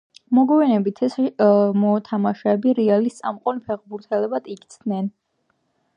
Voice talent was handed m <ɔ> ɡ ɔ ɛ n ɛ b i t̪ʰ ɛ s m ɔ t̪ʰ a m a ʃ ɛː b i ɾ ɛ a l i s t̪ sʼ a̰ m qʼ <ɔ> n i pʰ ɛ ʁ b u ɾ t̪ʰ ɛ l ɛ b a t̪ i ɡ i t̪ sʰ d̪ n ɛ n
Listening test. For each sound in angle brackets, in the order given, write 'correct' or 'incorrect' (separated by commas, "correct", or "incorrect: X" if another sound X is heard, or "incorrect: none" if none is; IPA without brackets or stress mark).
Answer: correct, correct